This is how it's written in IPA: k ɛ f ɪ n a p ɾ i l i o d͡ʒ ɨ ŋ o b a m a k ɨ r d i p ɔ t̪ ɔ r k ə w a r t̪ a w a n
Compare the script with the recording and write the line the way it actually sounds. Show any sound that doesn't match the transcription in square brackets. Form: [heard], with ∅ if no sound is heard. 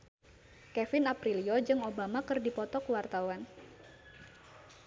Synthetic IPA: k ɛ f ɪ n a p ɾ i l i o d͡ʒ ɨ ŋ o b a m a k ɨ r d i p ɔ t̪ ɔ [∅] k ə w a r t̪ a w a n